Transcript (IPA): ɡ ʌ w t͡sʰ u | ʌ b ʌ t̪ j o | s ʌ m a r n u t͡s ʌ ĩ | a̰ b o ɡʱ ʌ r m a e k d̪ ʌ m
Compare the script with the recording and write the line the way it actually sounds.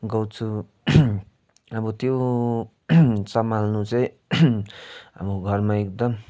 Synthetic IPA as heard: ɡ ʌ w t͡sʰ u | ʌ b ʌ t̪ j o | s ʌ m a l n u t͡s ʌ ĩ | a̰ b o ɡʱ ʌ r m a e k d̪ ʌ m